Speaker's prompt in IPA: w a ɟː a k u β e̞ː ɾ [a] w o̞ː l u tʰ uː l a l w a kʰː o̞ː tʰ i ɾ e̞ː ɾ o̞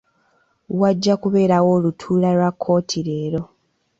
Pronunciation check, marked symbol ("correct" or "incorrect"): correct